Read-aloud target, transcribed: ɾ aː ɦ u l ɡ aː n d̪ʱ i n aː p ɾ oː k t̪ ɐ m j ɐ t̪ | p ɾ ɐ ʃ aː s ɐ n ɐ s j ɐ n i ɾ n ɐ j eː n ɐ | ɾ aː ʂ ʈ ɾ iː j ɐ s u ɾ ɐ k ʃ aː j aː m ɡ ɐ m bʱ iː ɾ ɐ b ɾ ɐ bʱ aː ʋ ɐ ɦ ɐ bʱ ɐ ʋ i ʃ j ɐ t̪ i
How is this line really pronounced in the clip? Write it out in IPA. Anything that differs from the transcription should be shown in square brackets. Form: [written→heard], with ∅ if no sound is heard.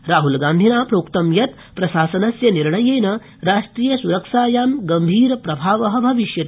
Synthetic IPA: ɾ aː ɦ u l ɡ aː n d̪ʱ i n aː p ɾ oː k t̪ ɐ m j ɐ t̪ | p ɾ ɐ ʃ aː s ɐ n ɐ s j ɐ n i ɾ [n→ɳ] ɐ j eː n ɐ | ɾ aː ʂ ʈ ɾ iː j ɐ s u ɾ ɐ k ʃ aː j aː m ɡ ɐ m bʱ iː ɾ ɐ [b→p] ɾ ɐ bʱ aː ʋ ɐ ɦ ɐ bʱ ɐ ʋ i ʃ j ɐ t̪ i